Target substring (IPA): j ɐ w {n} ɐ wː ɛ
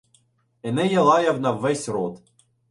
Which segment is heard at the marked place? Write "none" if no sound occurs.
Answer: n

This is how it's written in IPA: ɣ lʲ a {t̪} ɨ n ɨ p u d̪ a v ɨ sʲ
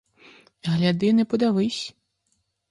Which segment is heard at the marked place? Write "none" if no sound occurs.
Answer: d̪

